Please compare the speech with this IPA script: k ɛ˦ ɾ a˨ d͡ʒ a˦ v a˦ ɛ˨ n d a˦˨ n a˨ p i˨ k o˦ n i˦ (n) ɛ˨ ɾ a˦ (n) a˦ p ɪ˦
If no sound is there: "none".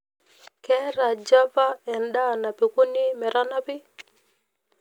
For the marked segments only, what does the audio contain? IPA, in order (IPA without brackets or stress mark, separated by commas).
m, n